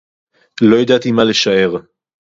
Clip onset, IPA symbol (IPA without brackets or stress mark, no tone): l